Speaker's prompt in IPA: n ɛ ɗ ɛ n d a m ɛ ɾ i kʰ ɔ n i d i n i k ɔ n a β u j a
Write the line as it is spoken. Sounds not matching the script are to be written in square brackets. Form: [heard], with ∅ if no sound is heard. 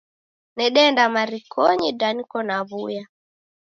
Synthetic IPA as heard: n ɛ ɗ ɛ n d a m [a] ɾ i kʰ ɔ [ɲ] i d [a] n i k ɔ n a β u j a